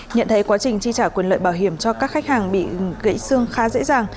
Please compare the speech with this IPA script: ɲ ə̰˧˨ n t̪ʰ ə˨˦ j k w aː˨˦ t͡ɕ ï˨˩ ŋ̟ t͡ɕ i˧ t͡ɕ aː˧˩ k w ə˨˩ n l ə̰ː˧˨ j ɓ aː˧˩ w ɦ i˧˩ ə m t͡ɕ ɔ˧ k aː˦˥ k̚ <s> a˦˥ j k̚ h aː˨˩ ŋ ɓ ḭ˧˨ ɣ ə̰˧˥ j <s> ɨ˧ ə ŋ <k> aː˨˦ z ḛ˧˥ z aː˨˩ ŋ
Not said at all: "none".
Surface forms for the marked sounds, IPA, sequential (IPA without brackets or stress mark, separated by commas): x, s, x